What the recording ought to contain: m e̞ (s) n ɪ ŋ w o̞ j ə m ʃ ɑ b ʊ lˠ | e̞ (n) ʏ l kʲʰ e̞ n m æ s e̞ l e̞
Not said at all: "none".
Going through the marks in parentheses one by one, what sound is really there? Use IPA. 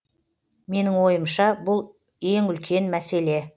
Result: none, ŋ

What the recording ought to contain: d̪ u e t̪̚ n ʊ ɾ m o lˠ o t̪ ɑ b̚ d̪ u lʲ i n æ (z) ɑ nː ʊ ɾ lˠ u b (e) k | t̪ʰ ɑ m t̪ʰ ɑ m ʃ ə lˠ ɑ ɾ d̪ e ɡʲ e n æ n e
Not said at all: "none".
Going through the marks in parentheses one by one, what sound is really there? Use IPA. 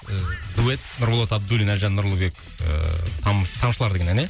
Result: ʒ, e

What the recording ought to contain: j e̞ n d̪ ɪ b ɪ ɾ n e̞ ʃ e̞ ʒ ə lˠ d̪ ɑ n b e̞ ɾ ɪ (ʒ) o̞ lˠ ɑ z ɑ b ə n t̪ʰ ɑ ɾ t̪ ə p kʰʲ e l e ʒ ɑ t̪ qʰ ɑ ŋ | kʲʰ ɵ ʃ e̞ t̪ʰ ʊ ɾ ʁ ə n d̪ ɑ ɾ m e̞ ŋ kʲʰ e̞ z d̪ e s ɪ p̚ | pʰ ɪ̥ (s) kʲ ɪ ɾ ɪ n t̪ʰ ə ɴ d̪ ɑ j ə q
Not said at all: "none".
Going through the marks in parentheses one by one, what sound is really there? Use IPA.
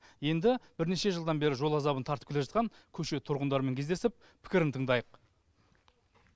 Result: ʒ, none

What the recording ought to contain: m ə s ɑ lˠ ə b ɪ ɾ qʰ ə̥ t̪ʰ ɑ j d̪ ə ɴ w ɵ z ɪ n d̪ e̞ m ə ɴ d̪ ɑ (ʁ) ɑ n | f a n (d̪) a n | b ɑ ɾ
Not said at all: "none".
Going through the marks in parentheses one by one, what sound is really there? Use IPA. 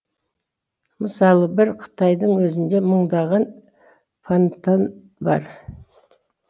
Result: ʁ, t̪

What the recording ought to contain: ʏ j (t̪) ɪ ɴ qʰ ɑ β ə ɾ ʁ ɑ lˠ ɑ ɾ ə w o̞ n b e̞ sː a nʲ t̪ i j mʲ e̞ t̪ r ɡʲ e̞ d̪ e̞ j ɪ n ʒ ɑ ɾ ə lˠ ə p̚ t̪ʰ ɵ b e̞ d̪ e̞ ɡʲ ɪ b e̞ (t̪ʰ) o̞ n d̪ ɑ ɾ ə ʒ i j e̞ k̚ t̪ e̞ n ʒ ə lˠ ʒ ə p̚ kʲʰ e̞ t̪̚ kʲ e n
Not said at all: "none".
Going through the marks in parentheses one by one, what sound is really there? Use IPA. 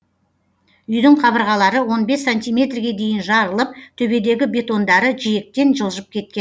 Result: d̪, t̪

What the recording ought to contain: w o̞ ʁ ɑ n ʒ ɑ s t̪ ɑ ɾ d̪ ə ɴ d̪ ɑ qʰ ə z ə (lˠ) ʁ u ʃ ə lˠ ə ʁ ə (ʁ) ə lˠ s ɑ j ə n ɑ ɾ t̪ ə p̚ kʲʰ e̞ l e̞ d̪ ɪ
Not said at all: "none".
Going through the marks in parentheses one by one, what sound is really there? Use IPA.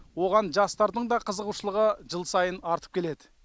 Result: none, ʒ

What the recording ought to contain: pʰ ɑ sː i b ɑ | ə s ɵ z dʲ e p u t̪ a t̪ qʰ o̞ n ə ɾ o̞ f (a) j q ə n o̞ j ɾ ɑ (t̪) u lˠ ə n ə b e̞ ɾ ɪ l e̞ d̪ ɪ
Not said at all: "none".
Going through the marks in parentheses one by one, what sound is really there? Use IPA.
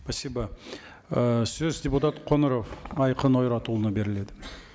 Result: ɑ, t̪

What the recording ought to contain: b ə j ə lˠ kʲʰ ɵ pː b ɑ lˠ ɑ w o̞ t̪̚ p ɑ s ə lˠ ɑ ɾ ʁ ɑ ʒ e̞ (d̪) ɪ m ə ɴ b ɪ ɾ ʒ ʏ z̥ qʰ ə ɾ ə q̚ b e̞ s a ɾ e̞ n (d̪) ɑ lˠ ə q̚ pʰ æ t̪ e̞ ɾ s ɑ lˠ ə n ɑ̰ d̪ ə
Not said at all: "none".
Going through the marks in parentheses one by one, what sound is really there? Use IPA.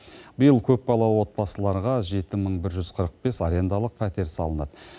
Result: t̪, d̪

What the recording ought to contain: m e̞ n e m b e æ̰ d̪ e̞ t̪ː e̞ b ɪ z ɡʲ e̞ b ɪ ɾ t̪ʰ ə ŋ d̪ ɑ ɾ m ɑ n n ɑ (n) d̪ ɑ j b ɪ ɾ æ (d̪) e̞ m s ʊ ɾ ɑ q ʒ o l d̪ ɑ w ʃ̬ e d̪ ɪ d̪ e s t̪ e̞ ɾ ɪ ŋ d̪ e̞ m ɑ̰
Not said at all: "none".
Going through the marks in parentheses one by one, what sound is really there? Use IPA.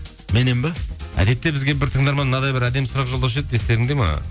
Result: none, d̪

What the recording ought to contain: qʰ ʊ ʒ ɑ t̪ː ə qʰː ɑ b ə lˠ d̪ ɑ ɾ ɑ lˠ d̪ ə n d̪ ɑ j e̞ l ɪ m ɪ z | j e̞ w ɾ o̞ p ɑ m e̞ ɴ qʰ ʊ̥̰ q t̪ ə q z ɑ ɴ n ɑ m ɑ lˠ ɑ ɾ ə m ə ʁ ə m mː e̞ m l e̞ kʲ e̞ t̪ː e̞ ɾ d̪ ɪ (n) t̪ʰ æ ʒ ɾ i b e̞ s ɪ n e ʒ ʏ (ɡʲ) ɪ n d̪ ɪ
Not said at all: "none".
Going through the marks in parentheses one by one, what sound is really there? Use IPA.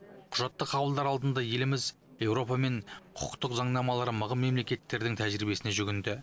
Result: ŋ, ɡʲ

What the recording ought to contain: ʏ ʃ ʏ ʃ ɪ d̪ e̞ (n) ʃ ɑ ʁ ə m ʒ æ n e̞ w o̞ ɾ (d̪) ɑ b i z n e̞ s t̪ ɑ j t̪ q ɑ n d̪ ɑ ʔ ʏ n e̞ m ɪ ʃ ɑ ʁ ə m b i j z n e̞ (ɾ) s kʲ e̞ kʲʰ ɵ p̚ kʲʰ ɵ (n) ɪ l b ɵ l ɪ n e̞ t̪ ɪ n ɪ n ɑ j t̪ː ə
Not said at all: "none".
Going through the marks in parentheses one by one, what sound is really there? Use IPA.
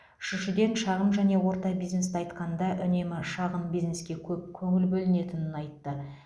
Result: n, t̪, none, ŋ

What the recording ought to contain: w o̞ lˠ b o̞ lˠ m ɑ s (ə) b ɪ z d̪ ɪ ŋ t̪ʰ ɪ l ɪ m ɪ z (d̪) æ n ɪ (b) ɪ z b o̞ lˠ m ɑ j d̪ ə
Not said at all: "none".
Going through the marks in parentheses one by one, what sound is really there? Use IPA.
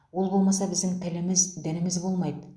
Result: ɑ, d̪, m

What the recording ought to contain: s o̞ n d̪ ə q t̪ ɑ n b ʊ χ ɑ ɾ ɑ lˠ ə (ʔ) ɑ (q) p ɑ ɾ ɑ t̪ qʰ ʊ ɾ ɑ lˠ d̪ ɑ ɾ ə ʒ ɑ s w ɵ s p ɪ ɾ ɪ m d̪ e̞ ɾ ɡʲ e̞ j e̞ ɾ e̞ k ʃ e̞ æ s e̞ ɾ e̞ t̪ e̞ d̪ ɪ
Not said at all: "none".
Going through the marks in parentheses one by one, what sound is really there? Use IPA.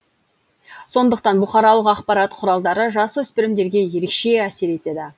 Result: q, q

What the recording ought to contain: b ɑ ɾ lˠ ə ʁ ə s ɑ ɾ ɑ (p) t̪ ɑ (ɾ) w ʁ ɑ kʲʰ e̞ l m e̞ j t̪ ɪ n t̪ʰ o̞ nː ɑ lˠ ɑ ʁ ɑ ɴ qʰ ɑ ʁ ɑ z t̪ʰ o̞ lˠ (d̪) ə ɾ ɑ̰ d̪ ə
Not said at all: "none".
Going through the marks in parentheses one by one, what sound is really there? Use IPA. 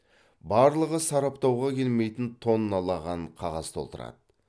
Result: p, none, t̪

